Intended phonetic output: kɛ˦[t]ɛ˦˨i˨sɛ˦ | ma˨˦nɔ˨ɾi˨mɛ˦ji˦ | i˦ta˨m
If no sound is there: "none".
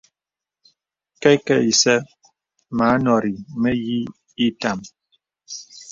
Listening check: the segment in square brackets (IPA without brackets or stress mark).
k